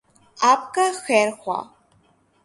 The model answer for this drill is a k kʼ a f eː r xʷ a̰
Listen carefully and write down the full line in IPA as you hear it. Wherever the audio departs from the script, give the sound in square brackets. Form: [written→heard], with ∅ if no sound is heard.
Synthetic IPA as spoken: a [k→p] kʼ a [f→x] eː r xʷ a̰

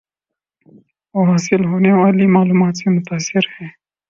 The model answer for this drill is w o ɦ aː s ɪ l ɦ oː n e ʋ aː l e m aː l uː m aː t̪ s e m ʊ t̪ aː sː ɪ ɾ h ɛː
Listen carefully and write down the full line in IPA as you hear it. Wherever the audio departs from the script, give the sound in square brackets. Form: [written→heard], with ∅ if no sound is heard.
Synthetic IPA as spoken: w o ɦ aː s ɪ l ɦ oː n e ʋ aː l [e→i] m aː l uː m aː t̪ s e m ʊ t̪ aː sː ɪ ɾ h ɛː

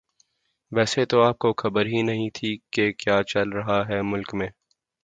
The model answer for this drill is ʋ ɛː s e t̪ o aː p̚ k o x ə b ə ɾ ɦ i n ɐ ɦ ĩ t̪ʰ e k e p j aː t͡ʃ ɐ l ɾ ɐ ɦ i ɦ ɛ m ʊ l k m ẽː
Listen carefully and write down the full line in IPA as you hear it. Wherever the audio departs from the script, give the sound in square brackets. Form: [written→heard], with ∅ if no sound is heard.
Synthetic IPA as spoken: ʋ ɛː s e t̪ o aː p̚ k o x [ə→ɐ] b ə ɾ ɦ i n ɐ ɦ ĩ t̪ʰ [e→i] k e [p→k] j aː t͡ʃ ɐ l ɾ ɐ ɦ [i→a] ɦ ɛ m ʊ l k m ẽː

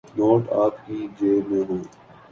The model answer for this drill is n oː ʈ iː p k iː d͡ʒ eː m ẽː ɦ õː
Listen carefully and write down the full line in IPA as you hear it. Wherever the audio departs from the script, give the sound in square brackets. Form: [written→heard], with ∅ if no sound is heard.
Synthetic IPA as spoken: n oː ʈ [iː→aː] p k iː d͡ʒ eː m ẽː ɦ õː

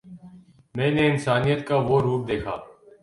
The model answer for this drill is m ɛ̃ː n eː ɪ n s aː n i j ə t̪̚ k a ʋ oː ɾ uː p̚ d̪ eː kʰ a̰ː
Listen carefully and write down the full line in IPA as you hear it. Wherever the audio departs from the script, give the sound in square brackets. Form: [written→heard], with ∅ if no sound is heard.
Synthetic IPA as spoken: m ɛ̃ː n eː ɪ n s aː n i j ə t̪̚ k a ʋ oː ɾ uː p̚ d̪ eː kʰ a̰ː

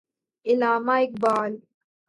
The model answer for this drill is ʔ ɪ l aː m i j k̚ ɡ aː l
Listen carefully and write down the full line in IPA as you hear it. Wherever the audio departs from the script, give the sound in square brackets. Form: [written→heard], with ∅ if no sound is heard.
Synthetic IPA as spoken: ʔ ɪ l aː m [i→a] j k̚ [ɡ→b] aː l

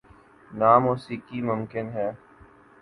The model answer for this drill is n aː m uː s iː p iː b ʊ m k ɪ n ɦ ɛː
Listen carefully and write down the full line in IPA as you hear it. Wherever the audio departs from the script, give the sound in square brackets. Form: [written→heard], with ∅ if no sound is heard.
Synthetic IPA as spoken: n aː m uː s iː [p→k] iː [b→m] ʊ m k ɪ n ɦ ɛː

